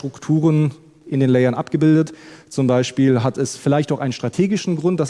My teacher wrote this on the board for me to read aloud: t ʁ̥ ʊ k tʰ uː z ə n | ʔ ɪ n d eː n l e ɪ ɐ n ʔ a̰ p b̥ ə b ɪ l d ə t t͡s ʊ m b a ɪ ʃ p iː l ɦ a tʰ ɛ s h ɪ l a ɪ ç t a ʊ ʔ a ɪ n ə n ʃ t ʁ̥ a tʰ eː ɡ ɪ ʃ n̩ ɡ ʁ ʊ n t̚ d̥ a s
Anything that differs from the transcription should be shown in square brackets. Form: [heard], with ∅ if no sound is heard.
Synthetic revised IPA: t ʁ̥ ʊ k tʰ uː [ʁ] ə n | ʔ ɪ n d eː n l [ɛ] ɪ ɐ n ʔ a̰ p [ɡ̥] ə b ɪ l d ə t t͡s ʊ m b a ɪ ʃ p iː l ɦ a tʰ ɛ s [f] ɪ l a ɪ ç t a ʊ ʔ a ɪ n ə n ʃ t ʁ̥ a tʰ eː ɡ ɪ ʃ n̩ ɡ ʁ ʊ n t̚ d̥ a s